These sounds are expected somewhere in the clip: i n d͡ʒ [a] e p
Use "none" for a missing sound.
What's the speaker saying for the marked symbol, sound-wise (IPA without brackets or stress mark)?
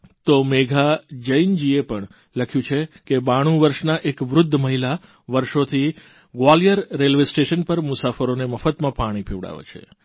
i